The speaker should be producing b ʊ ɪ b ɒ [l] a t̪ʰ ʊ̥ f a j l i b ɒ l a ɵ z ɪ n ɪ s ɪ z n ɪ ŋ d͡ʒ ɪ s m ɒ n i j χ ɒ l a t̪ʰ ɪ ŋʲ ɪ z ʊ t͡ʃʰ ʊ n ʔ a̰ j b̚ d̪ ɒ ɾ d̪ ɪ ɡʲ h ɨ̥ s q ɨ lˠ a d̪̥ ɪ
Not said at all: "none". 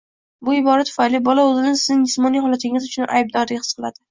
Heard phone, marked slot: ɾ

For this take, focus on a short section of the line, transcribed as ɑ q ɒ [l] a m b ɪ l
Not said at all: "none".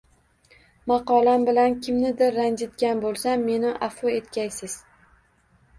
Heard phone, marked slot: l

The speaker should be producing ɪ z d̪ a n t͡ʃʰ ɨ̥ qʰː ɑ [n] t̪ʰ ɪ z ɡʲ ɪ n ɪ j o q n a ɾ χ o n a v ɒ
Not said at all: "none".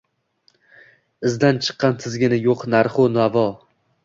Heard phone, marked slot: n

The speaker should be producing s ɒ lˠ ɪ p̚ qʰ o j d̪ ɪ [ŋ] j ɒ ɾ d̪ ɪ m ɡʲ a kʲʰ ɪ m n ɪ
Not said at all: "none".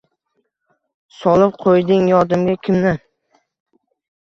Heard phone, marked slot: ŋ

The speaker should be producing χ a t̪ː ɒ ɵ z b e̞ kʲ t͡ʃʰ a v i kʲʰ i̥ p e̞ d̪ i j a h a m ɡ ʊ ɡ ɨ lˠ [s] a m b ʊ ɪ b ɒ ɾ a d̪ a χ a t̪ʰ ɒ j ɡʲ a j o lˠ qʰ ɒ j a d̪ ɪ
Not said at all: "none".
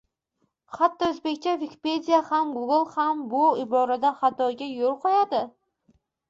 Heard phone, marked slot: h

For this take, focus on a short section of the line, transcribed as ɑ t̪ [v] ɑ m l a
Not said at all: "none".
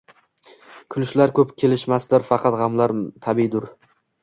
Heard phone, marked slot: ʁ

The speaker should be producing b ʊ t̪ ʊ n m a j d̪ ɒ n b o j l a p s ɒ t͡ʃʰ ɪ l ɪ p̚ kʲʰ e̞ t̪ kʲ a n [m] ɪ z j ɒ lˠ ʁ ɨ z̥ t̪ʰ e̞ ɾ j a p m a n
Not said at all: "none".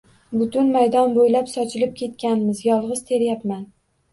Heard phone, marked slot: m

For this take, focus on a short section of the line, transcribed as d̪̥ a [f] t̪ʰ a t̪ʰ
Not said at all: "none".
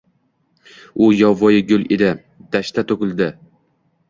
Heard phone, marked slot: ʃ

